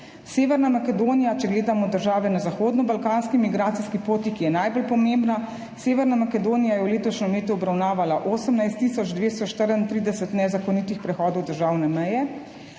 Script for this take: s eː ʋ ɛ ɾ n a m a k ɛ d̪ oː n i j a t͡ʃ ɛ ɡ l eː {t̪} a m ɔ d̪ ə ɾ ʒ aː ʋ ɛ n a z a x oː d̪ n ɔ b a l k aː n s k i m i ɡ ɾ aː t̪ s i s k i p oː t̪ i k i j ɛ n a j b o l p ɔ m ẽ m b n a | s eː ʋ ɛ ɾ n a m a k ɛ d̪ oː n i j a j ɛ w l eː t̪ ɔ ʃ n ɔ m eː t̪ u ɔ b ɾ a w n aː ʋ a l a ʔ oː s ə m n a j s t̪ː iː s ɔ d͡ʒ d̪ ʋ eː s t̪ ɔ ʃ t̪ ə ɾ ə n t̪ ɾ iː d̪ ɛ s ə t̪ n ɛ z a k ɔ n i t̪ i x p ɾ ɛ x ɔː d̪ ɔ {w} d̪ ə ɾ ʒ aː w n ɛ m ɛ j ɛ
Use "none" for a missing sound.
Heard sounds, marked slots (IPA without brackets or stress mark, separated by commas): d̪, w